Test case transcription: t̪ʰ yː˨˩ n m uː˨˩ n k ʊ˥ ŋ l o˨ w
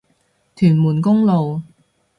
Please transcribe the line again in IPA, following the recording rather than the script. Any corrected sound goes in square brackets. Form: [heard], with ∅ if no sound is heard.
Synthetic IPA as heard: t̪ʰ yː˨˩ n m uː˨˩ n k ʊ˥ ŋ l o˨ w